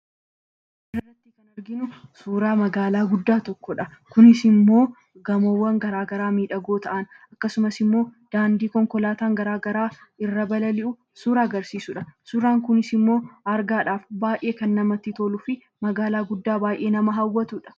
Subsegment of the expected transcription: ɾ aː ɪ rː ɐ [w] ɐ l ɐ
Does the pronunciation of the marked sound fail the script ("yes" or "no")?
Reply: yes